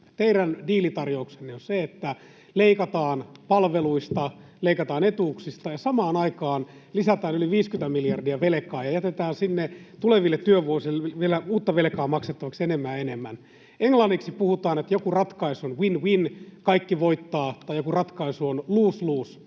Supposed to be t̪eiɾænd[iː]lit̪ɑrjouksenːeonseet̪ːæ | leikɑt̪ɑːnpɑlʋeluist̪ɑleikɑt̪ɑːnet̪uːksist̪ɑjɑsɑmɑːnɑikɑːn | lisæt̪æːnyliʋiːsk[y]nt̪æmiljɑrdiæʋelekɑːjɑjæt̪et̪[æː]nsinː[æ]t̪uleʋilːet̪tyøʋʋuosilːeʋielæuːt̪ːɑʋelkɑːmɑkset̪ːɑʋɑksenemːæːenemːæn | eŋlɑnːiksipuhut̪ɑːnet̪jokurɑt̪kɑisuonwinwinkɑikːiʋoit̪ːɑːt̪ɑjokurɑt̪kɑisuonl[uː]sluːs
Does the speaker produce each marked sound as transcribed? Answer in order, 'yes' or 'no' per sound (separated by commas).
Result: yes, yes, yes, no, yes